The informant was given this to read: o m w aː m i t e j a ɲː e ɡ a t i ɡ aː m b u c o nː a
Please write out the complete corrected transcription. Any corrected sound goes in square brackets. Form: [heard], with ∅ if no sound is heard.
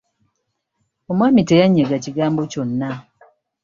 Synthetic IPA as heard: o m w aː m i t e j a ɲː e ɡ a [c] i ɡ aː m b [o] c o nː a